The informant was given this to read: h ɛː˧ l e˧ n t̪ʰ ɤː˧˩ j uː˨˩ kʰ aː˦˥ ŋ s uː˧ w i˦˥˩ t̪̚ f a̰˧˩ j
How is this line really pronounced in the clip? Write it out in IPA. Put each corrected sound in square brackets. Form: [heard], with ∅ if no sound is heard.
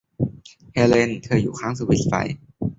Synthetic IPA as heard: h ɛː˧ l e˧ n t̪ʰ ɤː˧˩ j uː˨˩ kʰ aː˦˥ ŋ s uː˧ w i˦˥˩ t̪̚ f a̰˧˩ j